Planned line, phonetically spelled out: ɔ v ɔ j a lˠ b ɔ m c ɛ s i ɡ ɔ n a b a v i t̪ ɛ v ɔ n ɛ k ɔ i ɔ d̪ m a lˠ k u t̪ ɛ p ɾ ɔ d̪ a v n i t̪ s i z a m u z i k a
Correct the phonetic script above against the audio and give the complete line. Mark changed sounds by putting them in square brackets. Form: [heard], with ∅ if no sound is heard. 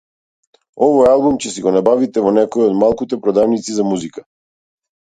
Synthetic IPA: ɔ v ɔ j a lˠ b [u] m c ɛ s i ɡ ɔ n a b a v i t̪ ɛ v ɔ n ɛ k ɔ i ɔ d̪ m a lˠ k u t̪ ɛ p ɾ ɔ d̪ a v n i t̪ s i z a m u z i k a